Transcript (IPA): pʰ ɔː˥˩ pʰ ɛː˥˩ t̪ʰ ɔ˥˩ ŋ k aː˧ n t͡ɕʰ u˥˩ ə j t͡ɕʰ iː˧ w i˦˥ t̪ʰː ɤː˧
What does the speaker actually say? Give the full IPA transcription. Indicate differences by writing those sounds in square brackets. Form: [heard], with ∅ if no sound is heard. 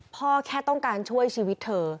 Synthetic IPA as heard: pʰ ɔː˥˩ [kʰ] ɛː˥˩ [t̪] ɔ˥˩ ŋ k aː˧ n t͡ɕʰ u˥˩ ə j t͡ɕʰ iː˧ w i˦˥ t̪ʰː ɤː˧